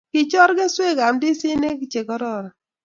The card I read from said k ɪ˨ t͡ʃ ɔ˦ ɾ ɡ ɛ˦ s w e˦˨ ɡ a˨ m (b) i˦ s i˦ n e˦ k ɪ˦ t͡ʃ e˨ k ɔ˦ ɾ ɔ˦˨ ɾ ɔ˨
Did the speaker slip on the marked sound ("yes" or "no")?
yes